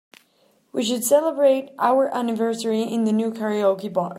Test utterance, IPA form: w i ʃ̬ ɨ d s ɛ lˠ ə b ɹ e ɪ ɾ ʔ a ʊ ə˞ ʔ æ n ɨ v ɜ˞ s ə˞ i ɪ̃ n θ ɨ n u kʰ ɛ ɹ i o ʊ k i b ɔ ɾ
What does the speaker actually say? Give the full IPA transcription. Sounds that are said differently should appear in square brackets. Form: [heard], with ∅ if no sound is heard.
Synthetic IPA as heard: w i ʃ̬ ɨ d s ɛ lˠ ə b ɹ e ɪ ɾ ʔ a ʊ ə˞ ʔ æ n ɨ v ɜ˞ s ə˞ i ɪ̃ n [ð] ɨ n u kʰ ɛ ɹ i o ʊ k i b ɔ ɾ